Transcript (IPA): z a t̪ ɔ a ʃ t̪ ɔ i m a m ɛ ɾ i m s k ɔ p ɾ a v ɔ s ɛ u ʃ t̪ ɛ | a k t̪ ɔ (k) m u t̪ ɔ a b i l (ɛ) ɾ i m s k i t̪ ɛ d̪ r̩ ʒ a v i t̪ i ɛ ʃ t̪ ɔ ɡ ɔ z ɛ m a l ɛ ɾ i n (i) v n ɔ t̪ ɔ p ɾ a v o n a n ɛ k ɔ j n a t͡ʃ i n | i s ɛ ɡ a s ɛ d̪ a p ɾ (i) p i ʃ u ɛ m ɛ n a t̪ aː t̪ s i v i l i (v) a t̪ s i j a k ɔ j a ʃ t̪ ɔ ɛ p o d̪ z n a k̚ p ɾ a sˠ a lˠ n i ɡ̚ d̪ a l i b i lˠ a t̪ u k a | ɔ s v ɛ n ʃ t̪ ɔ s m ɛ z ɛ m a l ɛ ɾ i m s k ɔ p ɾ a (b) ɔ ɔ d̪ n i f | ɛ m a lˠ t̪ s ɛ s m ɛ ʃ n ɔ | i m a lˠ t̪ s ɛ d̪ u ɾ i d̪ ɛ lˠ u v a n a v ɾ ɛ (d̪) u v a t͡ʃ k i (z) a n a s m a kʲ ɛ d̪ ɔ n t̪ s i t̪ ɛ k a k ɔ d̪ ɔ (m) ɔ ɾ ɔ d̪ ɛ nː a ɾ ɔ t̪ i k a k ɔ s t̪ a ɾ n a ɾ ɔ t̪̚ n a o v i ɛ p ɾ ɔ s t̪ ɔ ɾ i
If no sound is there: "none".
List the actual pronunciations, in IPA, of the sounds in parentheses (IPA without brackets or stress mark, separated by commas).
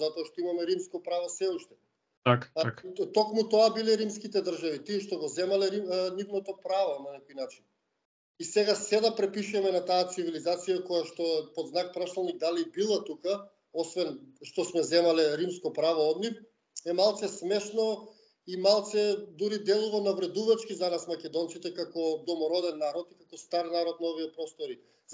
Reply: k, ɛ, i, ɛ, z, v, d̪, z, m